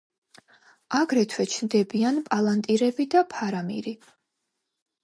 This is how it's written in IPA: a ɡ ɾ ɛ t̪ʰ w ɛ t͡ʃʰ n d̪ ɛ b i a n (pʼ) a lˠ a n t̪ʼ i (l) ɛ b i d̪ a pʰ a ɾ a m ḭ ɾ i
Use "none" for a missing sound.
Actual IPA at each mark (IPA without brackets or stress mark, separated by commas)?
pʼ, ɾ